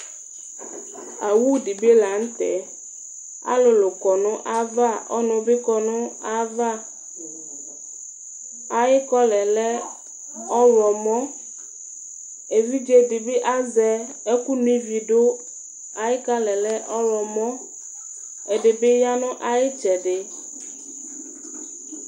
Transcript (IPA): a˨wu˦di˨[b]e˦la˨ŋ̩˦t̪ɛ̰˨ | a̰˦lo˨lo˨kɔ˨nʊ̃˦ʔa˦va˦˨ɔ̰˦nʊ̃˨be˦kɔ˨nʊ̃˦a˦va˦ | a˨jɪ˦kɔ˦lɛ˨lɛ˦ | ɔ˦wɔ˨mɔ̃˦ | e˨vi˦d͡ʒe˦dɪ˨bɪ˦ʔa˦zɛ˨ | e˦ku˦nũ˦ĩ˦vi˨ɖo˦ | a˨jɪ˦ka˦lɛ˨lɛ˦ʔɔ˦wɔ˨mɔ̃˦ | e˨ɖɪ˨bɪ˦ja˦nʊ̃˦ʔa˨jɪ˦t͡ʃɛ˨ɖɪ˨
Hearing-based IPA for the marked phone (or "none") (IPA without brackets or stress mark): b